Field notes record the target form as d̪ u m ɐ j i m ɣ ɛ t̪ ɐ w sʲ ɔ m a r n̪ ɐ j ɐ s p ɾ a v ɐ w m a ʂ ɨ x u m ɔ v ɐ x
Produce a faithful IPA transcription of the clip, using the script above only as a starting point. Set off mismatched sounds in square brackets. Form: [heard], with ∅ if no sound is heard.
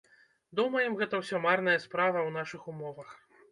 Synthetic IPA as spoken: d̪ u m ɐ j [ɛ] m ɣ ɛ t̪ ɐ w sʲ ɔ m a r n̪ ɐ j ɐ s p ɾ a v ɐ w [n] a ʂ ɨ x u m ɔ v ɐ x